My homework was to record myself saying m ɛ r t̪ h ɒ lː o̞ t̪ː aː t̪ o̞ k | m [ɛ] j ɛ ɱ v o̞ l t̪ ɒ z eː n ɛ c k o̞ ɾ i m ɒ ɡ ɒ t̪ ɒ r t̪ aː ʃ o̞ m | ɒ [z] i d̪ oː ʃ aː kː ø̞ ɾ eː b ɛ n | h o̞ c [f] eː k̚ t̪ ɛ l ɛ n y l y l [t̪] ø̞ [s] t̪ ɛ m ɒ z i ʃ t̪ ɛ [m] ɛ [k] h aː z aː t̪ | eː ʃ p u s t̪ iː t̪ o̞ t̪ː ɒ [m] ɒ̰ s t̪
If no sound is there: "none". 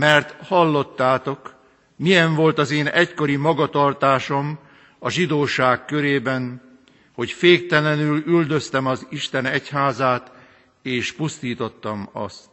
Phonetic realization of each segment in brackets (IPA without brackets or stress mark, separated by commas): i, ʒ, f, d̪, s, n, c, m